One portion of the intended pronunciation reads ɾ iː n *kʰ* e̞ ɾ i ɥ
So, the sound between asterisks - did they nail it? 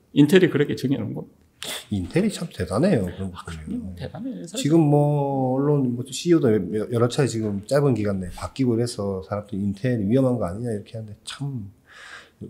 no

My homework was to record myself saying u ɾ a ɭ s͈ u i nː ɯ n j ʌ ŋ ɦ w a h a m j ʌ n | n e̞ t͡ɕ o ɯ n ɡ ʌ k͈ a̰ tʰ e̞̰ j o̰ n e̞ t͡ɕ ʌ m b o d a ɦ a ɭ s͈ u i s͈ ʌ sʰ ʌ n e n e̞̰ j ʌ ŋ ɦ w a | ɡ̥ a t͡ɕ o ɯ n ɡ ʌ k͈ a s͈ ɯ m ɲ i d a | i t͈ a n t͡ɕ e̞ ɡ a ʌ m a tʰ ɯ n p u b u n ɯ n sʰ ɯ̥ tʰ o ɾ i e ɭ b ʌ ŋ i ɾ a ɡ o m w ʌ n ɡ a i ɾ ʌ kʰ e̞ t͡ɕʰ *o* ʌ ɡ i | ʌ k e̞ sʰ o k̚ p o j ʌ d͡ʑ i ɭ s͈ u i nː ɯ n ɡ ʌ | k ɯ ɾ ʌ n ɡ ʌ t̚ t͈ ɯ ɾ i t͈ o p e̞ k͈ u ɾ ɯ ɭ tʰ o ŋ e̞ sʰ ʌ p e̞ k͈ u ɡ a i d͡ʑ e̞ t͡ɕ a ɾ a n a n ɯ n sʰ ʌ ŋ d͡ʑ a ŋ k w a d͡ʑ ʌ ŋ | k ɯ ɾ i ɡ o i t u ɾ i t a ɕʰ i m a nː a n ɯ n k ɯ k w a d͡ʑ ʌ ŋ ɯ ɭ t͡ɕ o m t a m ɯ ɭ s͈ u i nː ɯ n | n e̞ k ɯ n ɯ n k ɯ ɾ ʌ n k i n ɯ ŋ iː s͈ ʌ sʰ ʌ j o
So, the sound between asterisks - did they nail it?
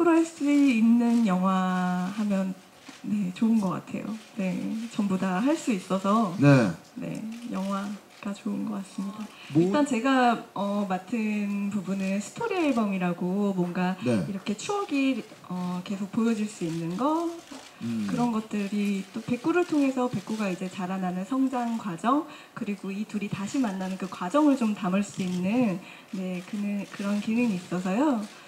no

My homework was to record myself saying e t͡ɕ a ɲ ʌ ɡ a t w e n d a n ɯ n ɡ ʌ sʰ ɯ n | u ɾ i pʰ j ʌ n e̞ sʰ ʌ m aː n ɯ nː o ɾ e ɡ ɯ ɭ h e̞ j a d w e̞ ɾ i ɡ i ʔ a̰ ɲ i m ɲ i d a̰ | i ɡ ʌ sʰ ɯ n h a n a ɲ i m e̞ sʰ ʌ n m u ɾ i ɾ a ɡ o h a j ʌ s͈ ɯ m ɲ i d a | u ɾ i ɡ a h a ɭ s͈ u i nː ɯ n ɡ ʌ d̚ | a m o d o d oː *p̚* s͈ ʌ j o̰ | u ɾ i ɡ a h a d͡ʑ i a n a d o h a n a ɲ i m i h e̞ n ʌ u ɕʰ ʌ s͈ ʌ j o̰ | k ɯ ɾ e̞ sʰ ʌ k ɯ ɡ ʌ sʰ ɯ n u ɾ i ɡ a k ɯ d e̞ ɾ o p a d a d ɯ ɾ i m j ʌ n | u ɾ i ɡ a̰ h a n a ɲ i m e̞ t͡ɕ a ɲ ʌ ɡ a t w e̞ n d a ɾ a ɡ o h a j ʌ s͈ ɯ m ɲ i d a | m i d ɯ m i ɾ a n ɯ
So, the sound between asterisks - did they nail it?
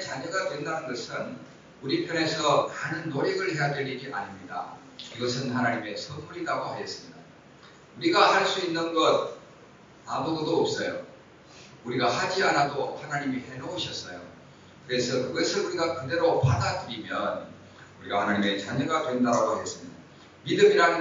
yes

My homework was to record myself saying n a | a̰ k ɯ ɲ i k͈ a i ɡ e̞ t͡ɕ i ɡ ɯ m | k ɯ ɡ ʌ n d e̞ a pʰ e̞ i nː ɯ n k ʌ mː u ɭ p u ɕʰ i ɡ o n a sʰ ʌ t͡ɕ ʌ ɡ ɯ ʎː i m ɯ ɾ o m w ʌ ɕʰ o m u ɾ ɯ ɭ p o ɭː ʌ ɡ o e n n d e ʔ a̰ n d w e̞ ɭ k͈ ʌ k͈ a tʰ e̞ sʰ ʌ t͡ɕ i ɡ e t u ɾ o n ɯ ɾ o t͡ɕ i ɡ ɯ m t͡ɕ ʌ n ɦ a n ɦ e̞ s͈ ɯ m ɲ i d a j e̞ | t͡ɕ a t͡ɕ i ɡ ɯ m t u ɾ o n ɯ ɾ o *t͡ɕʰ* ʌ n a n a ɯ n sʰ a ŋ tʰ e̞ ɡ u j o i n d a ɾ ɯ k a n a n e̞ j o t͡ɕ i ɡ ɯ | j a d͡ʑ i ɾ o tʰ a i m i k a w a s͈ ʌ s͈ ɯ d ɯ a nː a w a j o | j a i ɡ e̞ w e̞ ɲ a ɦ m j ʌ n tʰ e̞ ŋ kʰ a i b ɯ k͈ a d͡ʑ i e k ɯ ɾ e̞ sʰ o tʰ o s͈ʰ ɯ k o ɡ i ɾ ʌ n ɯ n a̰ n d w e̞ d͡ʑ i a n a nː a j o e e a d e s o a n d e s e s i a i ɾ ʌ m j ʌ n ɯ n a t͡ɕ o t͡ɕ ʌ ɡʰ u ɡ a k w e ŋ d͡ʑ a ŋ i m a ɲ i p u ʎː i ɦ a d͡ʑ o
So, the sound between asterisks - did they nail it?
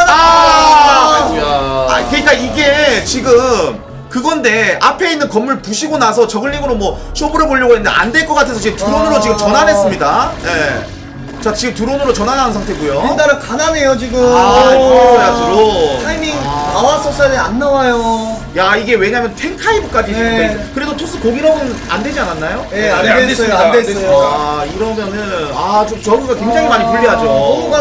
no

